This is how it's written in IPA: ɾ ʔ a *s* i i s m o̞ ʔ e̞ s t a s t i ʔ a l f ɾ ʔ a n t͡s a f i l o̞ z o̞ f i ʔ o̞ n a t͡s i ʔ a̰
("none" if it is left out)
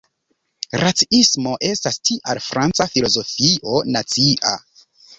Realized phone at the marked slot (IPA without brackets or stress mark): t͡s